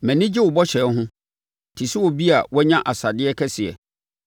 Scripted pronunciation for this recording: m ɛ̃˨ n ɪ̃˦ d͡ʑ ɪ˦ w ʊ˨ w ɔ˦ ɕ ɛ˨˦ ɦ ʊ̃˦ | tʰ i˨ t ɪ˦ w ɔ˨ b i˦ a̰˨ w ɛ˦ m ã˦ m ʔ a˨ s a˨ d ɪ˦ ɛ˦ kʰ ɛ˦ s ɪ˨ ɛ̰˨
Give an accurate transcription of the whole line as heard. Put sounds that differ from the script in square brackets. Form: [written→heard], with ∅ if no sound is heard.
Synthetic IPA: m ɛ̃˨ n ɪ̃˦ d͡ʑ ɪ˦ w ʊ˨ [w→b] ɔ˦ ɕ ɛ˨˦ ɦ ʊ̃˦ | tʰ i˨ [t→s] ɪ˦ w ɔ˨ b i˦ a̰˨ w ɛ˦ [m→ɲ] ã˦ [m→∅] ʔ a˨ s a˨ d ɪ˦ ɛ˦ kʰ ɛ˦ s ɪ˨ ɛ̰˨